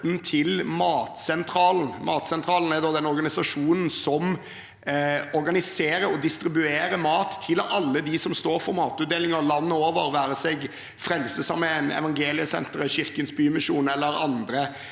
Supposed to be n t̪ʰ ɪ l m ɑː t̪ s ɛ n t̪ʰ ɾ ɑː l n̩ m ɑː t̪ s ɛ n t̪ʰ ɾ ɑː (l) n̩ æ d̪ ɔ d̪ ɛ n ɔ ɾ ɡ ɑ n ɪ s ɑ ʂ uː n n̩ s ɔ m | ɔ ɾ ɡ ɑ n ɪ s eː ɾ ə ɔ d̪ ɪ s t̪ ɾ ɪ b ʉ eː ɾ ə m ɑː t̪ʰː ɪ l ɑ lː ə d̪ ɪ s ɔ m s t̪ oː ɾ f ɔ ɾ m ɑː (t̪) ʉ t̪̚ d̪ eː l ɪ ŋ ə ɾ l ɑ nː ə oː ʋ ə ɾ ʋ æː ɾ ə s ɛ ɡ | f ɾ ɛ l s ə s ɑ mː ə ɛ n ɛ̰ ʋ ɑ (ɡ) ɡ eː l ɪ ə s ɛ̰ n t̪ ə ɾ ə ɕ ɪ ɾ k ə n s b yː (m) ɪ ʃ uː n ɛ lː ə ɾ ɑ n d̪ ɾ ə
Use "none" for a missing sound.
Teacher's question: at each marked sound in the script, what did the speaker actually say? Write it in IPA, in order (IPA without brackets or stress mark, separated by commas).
l, t̪, ŋ, m